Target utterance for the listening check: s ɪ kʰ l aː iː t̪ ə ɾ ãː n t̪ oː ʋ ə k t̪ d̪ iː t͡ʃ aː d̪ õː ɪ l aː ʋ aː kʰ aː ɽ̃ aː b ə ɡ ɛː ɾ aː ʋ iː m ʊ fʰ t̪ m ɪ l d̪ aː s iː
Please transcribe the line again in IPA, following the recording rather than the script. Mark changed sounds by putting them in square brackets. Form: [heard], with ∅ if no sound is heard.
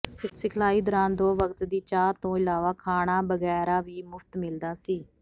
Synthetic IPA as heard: s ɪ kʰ l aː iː [d̪] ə ɾ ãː n [d̪] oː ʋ ə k t̪ d̪ iː t͡ʃ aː [t̪] õː ɪ l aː ʋ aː kʰ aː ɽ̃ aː b ə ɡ ɛː ɾ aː ʋ iː m ʊ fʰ t̪ m ɪ l d̪ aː s iː